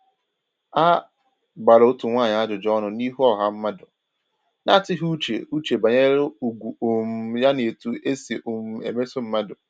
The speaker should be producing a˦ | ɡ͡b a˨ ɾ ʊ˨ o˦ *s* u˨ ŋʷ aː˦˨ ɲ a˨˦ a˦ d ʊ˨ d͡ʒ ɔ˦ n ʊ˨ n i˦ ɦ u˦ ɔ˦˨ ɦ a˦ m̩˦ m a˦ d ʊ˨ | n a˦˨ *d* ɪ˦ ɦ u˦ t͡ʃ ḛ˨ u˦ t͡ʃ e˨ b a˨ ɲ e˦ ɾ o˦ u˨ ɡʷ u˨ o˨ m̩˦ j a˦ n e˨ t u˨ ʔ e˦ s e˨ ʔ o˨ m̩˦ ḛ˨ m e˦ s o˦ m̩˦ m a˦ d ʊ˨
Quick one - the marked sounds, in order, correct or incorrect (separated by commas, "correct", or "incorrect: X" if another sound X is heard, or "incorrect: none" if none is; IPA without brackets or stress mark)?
incorrect: t, incorrect: t